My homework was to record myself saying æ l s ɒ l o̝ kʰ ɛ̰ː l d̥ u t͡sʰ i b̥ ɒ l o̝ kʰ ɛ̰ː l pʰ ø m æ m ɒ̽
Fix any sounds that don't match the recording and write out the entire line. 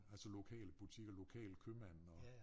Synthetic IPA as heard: æ l s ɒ l o̝ kʰ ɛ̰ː l b̥ u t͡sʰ i ɡ̥ ɒ l o̝ kʰ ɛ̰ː l kʰ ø m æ n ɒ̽